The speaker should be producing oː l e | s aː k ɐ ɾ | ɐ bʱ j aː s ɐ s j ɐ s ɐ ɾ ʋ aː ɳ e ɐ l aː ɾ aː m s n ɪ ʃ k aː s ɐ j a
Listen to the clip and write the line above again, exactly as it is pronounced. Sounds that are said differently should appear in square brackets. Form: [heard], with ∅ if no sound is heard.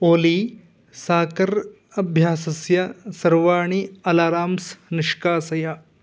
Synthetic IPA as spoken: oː l [i] | s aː k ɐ ɾ | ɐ bʱ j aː s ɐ s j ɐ s ɐ ɾ ʋ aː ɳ [i] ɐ l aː ɾ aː m s n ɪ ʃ k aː s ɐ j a